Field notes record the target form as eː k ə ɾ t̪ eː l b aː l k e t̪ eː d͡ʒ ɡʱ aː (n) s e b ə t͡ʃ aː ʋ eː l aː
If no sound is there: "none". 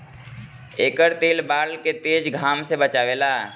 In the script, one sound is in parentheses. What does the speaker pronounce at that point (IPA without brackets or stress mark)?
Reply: m